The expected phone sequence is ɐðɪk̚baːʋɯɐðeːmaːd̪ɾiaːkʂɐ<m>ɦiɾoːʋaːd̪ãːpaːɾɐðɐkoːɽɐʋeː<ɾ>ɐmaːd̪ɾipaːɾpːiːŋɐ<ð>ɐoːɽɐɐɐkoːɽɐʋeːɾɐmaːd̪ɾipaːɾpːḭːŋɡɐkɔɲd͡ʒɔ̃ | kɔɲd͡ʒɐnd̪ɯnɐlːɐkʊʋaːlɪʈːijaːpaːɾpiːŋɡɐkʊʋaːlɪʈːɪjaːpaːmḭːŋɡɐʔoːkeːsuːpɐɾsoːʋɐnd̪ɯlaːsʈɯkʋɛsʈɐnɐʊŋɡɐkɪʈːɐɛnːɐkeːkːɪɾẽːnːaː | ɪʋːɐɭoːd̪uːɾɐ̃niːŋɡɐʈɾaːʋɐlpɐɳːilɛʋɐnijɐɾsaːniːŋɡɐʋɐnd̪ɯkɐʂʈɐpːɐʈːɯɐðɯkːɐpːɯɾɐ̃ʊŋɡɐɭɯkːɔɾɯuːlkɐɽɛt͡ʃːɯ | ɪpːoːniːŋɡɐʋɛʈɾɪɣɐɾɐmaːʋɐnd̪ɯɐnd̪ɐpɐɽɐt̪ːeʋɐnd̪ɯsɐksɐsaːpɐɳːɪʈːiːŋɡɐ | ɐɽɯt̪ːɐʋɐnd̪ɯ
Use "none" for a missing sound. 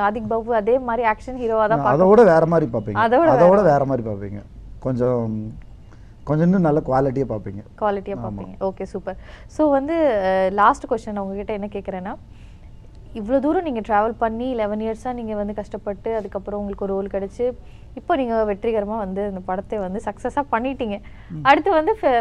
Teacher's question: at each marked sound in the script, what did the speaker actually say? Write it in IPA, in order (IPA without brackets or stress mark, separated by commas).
n, ɾ, ð